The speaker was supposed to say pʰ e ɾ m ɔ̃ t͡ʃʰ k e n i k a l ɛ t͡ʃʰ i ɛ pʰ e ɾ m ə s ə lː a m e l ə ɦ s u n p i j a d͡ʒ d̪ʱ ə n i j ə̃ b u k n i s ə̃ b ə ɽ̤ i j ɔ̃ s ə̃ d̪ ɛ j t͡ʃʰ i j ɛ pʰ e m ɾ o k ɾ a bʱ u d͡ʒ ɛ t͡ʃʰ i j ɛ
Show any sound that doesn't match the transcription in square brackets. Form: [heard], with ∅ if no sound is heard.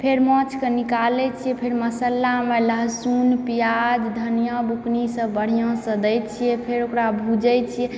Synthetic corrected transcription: pʰ e ɾ m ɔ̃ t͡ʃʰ k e n i k a l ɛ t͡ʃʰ i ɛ pʰ e ɾ m ə s ə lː a m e l ə ɦ s u n p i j a d͡ʒ d̪ʱ ə n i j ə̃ b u k n i s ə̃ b ə ɽ̤ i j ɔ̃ s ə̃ d̪ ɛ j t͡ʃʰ i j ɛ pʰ e [∅] ɾ o k ɾ a bʱ u d͡ʒ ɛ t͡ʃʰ i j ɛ